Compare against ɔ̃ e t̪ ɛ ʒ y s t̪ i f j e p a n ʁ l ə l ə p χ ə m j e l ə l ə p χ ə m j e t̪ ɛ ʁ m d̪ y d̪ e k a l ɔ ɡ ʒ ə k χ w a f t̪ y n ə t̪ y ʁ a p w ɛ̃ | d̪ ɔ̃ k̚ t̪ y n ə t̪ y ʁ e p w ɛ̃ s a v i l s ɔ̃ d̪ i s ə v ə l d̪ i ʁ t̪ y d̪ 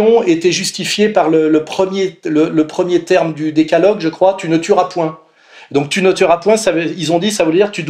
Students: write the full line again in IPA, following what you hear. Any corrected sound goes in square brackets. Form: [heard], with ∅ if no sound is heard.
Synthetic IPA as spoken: ɔ̃ e t̪ ɛ ʒ y s t̪ i f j e p a [∅] ʁ l ə l ə p χ ə m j e l ə l ə p χ ə m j e t̪ ɛ ʁ m d̪ y d̪ e k a l ɔ ɡ ʒ ə k χ w a [∅] t̪ y n ə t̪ y ʁ a p w ɛ̃ | d̪ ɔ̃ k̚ t̪ y n ə t̪ y ʁ [a] p w ɛ̃ s a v i l [z] ɔ̃ d̪ i s [a] v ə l d̪ i ʁ t̪ y d̪